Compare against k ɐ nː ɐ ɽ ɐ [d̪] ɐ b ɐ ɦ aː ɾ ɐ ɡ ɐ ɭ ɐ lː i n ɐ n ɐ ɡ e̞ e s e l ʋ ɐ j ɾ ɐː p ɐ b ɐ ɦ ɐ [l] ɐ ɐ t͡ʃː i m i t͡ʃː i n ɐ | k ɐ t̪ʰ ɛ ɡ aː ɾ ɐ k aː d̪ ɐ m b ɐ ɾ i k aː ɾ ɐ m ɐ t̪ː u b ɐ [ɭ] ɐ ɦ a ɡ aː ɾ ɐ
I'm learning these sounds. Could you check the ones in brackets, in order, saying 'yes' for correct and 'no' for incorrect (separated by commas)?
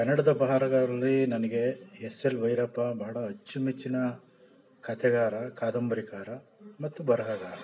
yes, no, no